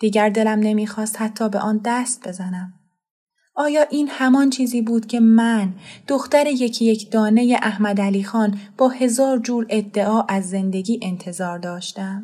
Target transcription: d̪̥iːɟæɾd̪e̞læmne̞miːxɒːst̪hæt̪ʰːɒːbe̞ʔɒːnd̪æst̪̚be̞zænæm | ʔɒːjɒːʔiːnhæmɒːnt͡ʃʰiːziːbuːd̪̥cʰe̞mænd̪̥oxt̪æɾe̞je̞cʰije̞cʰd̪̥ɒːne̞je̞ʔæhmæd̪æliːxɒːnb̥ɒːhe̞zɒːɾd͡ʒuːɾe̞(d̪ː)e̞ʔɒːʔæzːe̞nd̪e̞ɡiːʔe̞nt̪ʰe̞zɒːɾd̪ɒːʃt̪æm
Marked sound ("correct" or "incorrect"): correct